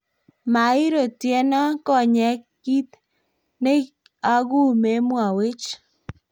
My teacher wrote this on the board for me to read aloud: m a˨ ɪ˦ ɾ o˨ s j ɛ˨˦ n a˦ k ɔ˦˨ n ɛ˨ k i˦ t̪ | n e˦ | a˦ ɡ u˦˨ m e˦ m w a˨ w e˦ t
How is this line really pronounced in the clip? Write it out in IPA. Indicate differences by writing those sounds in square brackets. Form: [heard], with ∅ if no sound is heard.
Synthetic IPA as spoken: m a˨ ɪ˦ ɾ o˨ [t] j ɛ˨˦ n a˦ k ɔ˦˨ [ɲ] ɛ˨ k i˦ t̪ | n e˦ | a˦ ɡ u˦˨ m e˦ m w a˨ w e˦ [t͡ʃ]